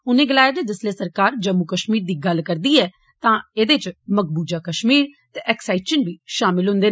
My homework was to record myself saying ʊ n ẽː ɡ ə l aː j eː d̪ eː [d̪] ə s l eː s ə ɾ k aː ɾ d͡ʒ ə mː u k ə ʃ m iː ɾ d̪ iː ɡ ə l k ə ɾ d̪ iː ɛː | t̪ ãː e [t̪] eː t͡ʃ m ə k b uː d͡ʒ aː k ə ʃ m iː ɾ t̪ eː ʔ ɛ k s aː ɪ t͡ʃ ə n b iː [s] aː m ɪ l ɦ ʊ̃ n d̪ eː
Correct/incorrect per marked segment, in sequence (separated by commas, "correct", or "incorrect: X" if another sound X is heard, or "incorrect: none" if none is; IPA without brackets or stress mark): correct, incorrect: d̪, incorrect: ʃ